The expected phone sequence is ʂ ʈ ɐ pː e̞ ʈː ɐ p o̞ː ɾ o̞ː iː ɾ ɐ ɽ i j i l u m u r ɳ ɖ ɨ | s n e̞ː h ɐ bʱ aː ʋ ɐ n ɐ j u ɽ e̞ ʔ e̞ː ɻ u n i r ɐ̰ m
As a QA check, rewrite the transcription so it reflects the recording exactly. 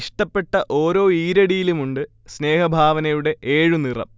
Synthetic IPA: ʂ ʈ ɐ pː e̞ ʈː ɐ ʔ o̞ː ɾ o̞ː iː ɾ ɐ ɽ i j i l u m u ɳ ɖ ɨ | s n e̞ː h ɐ bʱ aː ʋ ɐ n ɐ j u ɽ e̞ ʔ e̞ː ɻ u n i r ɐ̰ m